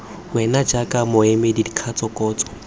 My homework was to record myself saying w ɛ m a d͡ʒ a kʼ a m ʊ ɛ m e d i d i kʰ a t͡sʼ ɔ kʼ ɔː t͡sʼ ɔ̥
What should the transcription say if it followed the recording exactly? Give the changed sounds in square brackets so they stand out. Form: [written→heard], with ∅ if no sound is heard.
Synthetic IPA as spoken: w ɛ [m→n] a d͡ʒ a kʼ a m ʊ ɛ m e d i d i kʰ a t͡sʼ ɔ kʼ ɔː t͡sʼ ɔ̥